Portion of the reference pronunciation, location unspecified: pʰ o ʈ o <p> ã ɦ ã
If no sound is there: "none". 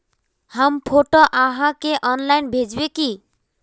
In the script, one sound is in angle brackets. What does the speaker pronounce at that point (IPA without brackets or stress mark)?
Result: ʔ